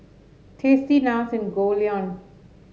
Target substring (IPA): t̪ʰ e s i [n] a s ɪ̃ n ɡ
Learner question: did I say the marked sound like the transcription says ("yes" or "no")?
yes